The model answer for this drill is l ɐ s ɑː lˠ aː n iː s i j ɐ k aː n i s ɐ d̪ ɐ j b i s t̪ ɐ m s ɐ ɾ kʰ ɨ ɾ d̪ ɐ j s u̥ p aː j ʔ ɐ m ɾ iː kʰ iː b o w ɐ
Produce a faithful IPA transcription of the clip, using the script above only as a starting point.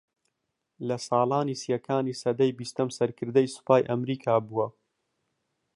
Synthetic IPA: l ɐ s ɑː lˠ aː n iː s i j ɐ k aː n i s ɐ d̪ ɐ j b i s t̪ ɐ m s ɐ ɾ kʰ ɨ ɾ d̪ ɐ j s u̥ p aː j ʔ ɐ m ɾ iː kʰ aː b u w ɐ

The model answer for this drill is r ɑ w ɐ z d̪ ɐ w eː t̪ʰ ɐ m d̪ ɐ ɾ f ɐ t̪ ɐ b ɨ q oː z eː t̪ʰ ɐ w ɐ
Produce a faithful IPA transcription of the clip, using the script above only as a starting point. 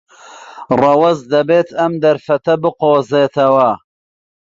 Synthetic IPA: r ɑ w ɐ z d̪ ɐ b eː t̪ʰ ɐ m d̪ ɐ ɾ f ɐ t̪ ɐ b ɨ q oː z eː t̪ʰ ɐ w ɐ

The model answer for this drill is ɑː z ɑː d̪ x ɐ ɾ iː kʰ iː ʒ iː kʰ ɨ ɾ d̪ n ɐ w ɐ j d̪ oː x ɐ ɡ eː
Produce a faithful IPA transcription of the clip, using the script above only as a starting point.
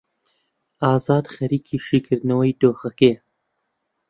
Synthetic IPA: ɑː z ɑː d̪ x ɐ ɾ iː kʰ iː ʃ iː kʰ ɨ ɾ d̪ n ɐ w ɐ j d̪ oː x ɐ k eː

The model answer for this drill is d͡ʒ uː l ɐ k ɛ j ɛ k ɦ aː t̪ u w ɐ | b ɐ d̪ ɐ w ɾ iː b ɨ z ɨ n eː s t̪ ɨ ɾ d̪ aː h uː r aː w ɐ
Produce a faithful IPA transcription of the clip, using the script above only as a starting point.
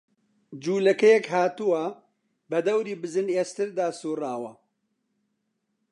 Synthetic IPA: d͡ʒ uː l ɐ k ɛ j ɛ k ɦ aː t̪ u w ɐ | b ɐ d̪ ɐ w ɾ iː b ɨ z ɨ n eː s t̪ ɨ ɾ d̪ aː s uː r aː w ɐ

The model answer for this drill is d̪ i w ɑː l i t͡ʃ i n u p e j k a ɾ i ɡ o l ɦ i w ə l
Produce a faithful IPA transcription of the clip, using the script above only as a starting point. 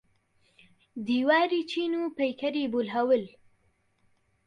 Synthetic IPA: d̪ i w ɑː ɾ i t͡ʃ i n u p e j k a ɾ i b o l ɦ a w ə l

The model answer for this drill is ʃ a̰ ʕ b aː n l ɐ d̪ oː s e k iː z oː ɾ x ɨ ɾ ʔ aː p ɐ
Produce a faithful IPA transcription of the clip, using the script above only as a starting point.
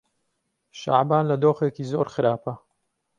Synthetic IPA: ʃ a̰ ʕ b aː n l ɐ d̪ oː x e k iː z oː ɾ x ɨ ɾ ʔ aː p ɐ

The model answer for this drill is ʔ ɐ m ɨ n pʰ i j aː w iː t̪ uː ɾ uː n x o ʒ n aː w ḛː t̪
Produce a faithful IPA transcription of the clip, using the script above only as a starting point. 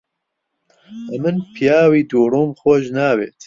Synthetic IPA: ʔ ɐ m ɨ n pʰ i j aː w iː d̪ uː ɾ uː m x o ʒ n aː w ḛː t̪

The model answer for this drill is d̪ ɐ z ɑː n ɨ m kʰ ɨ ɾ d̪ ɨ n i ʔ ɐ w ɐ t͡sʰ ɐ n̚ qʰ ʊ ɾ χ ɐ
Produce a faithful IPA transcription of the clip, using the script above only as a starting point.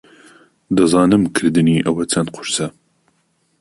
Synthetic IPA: d̪ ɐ z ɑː n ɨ m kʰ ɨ ɾ d̪ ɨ n i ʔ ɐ w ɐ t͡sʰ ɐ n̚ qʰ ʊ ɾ s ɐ

